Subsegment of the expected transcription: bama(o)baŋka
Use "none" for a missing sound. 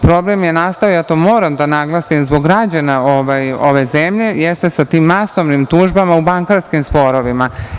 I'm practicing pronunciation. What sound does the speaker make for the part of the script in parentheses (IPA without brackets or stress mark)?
u